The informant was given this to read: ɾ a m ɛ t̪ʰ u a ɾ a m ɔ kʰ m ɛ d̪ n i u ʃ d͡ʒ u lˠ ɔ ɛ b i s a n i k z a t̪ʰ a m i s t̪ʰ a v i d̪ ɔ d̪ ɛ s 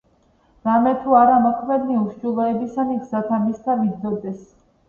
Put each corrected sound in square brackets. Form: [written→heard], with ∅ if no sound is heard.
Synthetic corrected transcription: ɾ a m ɛ t̪ʰ u a ɾ a m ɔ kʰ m ɛ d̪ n i u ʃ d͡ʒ u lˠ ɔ ɛ b i s a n i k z a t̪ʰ a m i s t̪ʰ a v i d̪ ɔ d̪ ɛ s

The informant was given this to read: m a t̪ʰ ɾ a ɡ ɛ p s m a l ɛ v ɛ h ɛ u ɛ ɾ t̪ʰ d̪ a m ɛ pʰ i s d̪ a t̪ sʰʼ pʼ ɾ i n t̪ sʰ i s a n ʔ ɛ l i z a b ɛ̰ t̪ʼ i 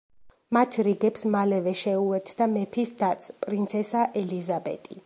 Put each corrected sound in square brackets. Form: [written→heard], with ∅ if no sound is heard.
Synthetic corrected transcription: m a t̪ʰ ɾ [a→i] ɡ ɛ p s m a l ɛ v ɛ [h→ʃ] ɛ u ɛ ɾ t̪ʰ d̪ a m ɛ pʰ i s d̪ a t̪ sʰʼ pʼ ɾ i n t̪ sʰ [i→ɛ] s a [n→∅] ʔ ɛ l i z a b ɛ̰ t̪ʼ i

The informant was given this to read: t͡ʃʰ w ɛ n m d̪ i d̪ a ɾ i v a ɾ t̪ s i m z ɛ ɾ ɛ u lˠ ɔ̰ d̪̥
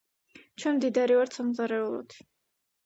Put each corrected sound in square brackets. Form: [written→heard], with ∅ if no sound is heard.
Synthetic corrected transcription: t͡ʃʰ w ɛ n m d̪ i d̪ a ɾ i v a ɾ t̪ s [i→a] m z [ɛ→a] ɾ ɛ u lˠ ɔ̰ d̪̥

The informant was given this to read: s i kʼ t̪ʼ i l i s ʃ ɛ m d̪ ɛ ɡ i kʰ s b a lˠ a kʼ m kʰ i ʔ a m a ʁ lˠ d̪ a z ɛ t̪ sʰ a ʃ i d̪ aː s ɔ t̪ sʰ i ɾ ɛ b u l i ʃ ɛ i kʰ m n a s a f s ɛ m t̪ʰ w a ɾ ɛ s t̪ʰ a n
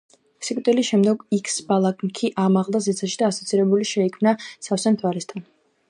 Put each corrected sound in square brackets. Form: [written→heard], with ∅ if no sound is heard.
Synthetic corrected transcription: s i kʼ t̪ʼ i l i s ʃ ɛ m d̪ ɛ ɡ i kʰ s b a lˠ a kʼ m kʰ i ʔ a m a ʁ lˠ d̪ a z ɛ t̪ sʰ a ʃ i d̪ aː s ɔ t̪ sʰ i ɾ ɛ b u l i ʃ ɛ i kʰ m n a s a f s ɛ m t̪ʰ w a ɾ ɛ s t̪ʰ a n

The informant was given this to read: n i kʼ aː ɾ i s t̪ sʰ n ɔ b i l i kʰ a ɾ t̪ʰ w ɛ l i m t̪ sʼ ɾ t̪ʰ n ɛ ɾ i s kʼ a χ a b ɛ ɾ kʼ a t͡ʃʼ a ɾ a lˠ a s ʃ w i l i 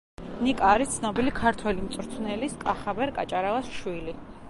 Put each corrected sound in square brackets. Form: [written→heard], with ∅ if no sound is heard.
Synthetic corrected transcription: n i kʼ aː ɾ i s t̪ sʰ n ɔ b i l i kʰ a ɾ t̪ʰ w ɛ l i m t̪ sʼ ɾ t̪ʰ n ɛ [ɾ→l] i s kʼ a χ a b ɛ ɾ kʼ a t͡ʃʼ a ɾ a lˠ a s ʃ w i l i

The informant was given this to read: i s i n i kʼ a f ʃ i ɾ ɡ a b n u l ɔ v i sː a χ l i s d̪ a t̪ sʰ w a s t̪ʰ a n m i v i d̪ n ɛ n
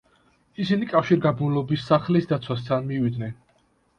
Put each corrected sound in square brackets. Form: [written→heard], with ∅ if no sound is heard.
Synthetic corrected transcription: i s i n i kʼ a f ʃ i ɾ ɡ a b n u l ɔ [v→b] i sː a χ l i s d̪ a t̪ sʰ w a s t̪ʰ a n m i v i d̪ n ɛ n

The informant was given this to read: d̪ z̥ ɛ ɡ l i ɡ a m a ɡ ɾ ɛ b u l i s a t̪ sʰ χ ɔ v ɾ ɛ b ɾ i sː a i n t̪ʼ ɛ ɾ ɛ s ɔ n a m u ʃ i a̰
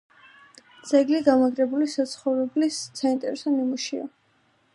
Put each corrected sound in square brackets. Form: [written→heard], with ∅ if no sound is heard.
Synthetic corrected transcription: d̪ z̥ ɛ ɡ l i ɡ a m a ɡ ɾ ɛ b u l i s a t̪ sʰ χ ɔ v ɾ ɛ b [ɾ→l] i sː a i n t̪ʼ ɛ ɾ ɛ s ɔ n [a→i] m u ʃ i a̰

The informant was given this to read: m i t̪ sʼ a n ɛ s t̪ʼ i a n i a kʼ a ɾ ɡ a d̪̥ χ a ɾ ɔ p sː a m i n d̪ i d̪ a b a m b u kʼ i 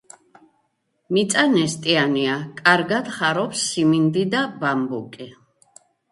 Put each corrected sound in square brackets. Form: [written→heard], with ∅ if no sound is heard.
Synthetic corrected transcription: m i t̪ sʼ a n ɛ s t̪ʼ i a n i a kʼ a ɾ ɡ a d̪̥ χ a ɾ ɔ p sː [a→i] m i n d̪ i d̪ a b a m b u kʼ i

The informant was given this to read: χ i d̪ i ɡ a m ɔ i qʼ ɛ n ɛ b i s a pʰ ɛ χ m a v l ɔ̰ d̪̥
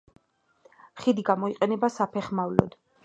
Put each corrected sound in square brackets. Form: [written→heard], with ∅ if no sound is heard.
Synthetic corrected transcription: χ i d̪ i ɡ a m ɔ i qʼ ɛ n ɛ b [i→a] s a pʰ ɛ χ m a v l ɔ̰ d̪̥

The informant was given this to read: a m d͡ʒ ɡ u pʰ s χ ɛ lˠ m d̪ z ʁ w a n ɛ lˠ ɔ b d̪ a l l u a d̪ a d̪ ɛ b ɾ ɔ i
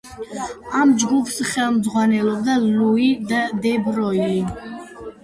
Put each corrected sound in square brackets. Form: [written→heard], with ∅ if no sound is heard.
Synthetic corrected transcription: a m d͡ʒ ɡ u pʰ s χ ɛ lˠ m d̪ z ʁ w a n ɛ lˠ ɔ b d̪ a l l u [a→i] d̪ a d̪ ɛ b ɾ ɔ i

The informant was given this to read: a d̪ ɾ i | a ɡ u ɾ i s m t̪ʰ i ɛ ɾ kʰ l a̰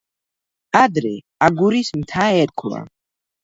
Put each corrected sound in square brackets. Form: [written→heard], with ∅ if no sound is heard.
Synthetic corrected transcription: a d̪ ɾ [i→ɛ] | a ɡ u ɾ i s m t̪ʰ [i→a] ɛ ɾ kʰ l a̰

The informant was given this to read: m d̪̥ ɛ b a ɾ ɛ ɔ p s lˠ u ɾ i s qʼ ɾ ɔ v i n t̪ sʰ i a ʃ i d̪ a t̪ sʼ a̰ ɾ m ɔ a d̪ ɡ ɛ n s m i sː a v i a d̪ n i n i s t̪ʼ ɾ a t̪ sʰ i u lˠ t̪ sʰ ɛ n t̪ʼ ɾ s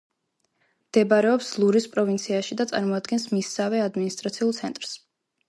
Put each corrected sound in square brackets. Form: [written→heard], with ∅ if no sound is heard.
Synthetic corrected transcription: m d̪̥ ɛ b a ɾ ɛ ɔ p s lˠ u ɾ i s [qʼ→pʼ] ɾ ɔ v i n t̪ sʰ i a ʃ i d̪ a t̪ sʼ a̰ ɾ m ɔ a d̪ ɡ ɛ n s m i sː a v [i→ɛ] a d̪ [n→m] i n i s t̪ʼ ɾ a t̪ sʰ i u lˠ t̪ sʰ ɛ n t̪ʼ ɾ s

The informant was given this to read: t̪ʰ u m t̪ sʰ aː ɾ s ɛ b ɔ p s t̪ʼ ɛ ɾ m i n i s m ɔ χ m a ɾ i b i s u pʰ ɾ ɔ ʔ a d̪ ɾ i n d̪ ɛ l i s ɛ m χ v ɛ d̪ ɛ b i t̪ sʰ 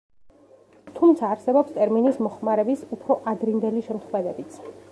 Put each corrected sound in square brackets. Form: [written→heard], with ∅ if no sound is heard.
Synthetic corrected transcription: t̪ʰ u m t̪ sʰ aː ɾ s ɛ b ɔ p s t̪ʼ ɛ ɾ m i n i s m ɔ χ m a ɾ [i→ɛ] b i s u pʰ ɾ ɔ ʔ a d̪ ɾ i n d̪ ɛ l i [s→ʃ] ɛ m χ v ɛ d̪ ɛ b i t̪ sʰ

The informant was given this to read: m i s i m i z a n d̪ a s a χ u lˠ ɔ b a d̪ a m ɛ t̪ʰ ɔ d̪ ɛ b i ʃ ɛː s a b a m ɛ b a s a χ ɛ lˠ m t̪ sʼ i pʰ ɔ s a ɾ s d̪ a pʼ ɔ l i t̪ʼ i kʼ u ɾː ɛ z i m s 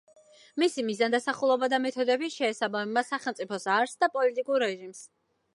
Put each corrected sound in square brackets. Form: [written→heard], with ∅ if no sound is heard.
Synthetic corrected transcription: m i s i m i z a n d̪ a s a χ u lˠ ɔ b a d̪ a m ɛ t̪ʰ ɔ d̪ ɛ b i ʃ ɛː s a b a m ɛ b a s a χ ɛ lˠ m t̪ sʼ i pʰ ɔ s a ɾ s d̪ a pʼ ɔ l i t̪ʼ i kʼ u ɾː ɛ [z→ʒ] i m s

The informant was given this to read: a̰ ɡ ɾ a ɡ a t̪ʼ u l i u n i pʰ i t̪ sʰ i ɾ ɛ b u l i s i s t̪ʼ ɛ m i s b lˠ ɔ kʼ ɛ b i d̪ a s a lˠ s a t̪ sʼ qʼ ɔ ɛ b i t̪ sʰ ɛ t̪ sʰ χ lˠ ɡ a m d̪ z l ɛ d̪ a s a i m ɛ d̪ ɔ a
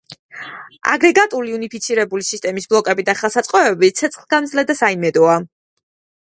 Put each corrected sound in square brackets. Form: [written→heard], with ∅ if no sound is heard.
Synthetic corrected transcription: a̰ ɡ ɾ [a→ɛ] ɡ a t̪ʼ u l i u n i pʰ i t̪ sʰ i ɾ ɛ b u l i s i s t̪ʼ ɛ m i s b lˠ ɔ kʼ ɛ b i d̪ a [s→χ] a lˠ s a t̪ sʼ qʼ ɔ ɛ b i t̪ sʰ ɛ t̪ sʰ χ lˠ ɡ a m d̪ z l ɛ d̪ a s a i m ɛ d̪ ɔ a

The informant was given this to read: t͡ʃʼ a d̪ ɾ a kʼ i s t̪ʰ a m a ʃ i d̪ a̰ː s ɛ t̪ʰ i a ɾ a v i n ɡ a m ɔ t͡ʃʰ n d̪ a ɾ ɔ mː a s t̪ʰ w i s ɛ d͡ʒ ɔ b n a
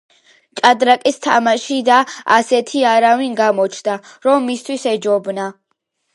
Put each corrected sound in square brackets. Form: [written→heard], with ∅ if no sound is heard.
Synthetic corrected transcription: t͡ʃʼ a d̪ ɾ a kʼ i s t̪ʰ a m a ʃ i d̪ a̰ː s ɛ t̪ʰ i a ɾ a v i n ɡ a m ɔ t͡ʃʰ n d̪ a ɾ ɔ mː [a→i] s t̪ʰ w i s ɛ d͡ʒ ɔ b n a

